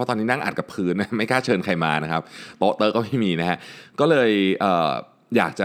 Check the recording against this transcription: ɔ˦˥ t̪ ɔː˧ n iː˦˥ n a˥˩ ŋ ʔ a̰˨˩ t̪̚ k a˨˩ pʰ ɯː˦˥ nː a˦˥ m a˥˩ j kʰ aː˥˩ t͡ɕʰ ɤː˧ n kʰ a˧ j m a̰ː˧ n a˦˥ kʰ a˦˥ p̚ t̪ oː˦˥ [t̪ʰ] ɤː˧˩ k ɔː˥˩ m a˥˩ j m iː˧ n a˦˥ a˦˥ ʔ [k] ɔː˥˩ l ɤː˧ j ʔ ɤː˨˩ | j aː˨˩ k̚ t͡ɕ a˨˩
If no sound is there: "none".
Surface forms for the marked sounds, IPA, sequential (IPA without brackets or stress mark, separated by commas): t̪, k